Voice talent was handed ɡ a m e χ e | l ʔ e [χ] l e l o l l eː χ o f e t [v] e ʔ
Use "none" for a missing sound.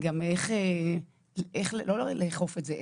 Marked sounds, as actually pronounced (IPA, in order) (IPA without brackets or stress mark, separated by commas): χ, z